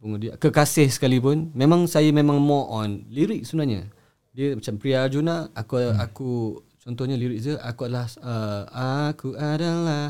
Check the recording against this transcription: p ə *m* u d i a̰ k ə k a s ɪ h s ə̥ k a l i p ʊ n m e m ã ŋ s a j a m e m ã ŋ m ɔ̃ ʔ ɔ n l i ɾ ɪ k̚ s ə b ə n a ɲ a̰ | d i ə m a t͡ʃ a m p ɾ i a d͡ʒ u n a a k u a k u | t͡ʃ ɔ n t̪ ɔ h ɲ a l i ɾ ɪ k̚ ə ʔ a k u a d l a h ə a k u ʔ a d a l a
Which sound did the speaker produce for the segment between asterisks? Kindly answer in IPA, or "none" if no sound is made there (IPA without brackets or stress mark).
ŋ